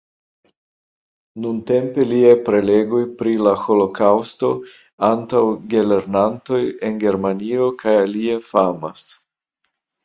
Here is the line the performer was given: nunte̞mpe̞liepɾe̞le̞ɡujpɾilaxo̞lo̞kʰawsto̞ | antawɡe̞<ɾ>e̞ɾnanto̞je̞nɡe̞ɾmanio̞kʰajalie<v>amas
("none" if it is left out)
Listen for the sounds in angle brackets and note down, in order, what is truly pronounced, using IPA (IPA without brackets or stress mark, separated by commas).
l, f